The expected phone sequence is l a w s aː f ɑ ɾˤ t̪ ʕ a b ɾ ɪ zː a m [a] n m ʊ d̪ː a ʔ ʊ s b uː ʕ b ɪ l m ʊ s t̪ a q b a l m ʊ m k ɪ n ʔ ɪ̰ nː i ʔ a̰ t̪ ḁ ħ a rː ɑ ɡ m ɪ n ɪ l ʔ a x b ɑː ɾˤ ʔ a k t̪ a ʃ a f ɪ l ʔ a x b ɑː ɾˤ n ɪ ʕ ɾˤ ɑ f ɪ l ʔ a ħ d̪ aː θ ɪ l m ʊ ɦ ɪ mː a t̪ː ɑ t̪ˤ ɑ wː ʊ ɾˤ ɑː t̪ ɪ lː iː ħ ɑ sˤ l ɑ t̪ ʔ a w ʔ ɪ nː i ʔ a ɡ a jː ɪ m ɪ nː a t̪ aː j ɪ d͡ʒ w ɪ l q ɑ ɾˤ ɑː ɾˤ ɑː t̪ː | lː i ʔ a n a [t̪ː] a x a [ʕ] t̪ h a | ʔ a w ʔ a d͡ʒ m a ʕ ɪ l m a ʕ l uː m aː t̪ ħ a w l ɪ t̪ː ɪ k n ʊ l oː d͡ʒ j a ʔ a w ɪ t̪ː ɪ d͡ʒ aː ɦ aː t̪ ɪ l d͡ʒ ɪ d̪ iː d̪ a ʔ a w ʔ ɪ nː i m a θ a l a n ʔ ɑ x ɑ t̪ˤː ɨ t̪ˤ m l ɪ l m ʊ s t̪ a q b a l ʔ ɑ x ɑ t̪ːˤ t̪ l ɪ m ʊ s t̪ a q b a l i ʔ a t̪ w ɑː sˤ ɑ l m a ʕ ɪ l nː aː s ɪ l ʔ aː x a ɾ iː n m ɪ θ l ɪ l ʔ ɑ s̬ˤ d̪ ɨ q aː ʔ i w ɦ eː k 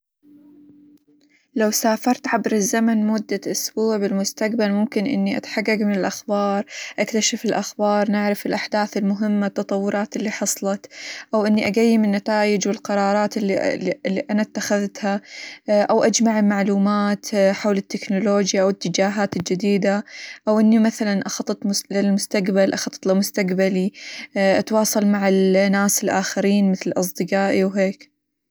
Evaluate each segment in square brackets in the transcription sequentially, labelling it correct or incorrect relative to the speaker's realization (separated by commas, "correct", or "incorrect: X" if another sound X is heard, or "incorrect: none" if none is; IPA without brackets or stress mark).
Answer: correct, correct, incorrect: ð